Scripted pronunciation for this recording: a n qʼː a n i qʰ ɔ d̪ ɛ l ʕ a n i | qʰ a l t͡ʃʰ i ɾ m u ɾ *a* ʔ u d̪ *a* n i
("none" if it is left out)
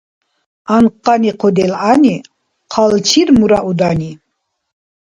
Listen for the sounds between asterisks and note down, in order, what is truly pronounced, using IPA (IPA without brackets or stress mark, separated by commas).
a, a